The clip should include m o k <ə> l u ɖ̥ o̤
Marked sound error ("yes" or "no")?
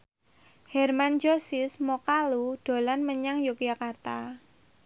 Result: yes